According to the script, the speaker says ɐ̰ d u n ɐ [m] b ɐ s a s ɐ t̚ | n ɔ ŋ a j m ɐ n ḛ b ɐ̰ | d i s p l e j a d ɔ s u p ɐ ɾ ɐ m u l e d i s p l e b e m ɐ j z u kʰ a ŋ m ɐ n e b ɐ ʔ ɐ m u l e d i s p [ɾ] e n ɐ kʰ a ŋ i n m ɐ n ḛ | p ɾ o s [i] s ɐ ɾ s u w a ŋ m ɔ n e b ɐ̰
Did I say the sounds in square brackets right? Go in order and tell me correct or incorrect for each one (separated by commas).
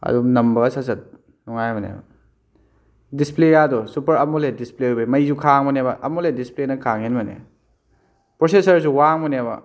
correct, incorrect, incorrect